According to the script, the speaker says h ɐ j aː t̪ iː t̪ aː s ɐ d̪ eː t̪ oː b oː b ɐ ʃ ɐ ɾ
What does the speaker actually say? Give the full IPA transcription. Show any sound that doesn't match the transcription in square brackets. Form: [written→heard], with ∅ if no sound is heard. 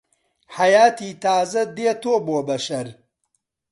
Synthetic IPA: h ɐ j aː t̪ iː t̪ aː [s→z] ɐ d̪ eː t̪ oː b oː b ɐ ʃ ɐ ɾ

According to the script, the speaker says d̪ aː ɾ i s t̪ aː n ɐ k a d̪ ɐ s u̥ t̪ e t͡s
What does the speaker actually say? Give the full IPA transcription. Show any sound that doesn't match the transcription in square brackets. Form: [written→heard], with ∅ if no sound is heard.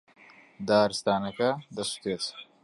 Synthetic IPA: d̪ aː ɾ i s t̪ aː n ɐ k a d̪ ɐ s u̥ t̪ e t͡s

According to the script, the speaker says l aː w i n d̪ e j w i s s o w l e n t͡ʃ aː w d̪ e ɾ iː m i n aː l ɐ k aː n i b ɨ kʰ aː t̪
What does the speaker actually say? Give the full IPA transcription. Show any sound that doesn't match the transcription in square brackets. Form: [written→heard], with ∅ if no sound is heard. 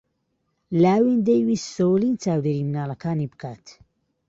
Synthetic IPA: l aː w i n d̪ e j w i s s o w l [e→i] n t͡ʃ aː w d̪ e ɾ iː m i n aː l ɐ k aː n i b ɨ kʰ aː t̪

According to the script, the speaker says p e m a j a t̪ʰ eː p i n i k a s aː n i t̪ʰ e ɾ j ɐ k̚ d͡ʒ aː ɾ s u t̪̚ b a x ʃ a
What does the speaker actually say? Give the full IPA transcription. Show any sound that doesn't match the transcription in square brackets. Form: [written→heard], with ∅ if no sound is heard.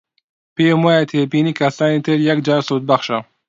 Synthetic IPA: p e m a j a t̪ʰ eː p i n i k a s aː n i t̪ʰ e ɾ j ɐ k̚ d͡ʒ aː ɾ s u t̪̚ b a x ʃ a

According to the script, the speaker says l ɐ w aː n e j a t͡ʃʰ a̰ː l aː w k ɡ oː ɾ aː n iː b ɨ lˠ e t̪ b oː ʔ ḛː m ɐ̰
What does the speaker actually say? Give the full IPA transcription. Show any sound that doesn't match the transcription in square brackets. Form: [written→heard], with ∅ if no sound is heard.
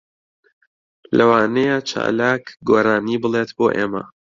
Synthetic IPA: l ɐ w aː n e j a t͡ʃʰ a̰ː l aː [w→∅] k ɡ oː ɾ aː n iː b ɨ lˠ e t̪ b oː ʔ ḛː m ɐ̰

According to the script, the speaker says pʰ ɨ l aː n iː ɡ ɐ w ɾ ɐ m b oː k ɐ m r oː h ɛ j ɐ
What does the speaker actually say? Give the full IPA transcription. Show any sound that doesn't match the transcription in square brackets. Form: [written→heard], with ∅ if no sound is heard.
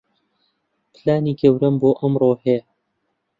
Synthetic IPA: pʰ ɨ l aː n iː ɡ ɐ w ɾ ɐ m b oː [k→ʔ] ɐ m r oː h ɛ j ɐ

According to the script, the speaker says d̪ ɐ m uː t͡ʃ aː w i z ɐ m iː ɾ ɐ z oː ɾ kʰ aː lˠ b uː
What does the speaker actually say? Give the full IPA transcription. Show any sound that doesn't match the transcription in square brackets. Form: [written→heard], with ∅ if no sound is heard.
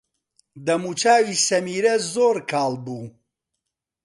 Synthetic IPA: d̪ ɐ m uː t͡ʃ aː w i [z→s] ɐ m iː ɾ ɐ z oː ɾ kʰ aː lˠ b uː

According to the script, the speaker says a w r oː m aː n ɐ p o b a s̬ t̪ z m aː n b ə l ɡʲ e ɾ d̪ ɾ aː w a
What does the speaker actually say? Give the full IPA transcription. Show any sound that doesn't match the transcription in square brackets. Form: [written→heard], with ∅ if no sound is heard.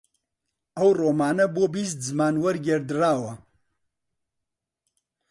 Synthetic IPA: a w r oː m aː n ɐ [p→b] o b [a→i] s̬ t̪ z m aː n [b→w] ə [l→ɾ] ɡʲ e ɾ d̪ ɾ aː w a

